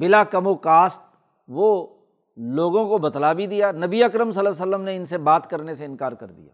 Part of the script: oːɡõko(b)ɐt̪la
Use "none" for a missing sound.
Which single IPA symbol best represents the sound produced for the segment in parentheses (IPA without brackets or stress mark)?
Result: b